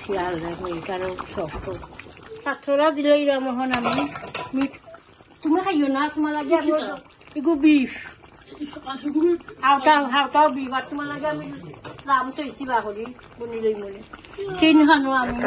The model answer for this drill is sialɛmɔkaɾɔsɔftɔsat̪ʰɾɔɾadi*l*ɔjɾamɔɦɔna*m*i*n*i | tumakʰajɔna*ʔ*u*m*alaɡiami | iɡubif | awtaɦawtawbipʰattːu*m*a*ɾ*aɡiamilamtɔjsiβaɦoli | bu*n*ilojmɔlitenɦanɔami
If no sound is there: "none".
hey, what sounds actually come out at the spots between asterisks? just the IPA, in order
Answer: l, m, m, t, m, m, l, n

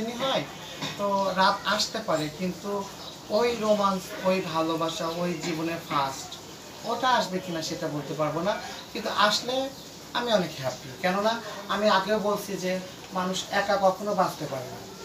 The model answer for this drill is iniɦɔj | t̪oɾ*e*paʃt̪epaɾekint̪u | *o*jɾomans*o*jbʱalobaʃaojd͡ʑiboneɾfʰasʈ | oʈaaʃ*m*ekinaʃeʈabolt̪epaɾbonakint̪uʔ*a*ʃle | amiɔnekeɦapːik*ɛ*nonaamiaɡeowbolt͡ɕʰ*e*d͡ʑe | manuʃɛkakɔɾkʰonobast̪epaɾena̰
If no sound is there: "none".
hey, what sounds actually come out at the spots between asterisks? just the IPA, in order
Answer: a, o, o, b, a, ɛ, i

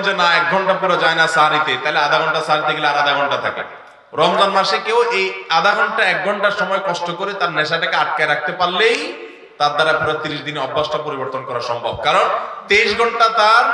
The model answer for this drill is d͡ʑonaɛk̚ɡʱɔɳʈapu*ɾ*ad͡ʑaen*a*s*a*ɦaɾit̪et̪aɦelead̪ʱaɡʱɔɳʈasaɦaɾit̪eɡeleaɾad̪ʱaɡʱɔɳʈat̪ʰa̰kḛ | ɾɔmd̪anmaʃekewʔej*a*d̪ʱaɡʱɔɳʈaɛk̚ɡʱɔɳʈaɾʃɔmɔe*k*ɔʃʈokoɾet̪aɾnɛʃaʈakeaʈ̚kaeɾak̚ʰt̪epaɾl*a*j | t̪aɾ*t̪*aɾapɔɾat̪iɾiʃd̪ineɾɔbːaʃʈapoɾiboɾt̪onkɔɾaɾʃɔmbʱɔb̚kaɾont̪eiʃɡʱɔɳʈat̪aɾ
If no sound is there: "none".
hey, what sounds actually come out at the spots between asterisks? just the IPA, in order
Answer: ɾ, a, a, a, k, e, d̪

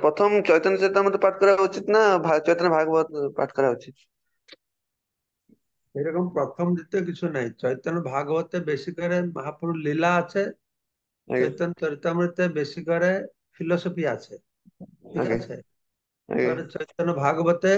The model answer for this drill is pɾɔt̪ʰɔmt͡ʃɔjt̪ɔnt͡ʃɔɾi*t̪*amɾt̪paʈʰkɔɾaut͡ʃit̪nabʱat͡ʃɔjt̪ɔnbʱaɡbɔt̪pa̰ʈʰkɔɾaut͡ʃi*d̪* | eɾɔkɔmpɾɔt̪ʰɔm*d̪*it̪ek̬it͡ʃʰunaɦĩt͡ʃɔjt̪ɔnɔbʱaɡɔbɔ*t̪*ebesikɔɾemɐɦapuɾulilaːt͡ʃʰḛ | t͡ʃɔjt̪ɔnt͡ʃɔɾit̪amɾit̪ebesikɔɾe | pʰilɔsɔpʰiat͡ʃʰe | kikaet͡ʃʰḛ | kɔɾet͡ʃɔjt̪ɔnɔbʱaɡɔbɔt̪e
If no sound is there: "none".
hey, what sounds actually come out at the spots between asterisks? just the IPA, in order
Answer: t̪, t̪, d̪, t̪

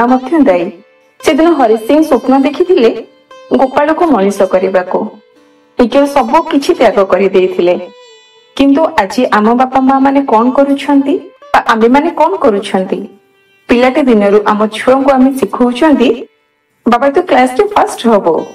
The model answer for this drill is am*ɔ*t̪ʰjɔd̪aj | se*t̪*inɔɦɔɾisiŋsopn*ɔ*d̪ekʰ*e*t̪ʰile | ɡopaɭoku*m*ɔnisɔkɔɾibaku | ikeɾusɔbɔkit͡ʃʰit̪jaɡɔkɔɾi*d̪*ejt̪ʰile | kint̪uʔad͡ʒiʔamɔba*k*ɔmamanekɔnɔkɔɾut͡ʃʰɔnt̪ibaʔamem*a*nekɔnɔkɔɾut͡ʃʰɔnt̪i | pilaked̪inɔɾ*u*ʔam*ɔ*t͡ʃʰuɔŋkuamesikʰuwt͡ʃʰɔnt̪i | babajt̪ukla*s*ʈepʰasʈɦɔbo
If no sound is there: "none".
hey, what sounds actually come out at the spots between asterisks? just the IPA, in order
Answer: ɔ, d̪, ɔ, i, m, d̪, p, a, u, ɔ, s

